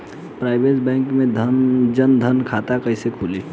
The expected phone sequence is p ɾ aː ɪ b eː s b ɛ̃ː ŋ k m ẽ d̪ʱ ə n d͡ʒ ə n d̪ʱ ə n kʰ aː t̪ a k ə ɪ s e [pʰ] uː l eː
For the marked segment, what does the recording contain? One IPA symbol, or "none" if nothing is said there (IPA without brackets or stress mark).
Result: kʰ